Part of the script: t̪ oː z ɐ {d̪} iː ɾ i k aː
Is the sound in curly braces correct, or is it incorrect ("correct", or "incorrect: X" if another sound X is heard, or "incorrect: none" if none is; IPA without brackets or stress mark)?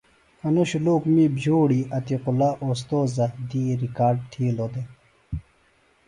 correct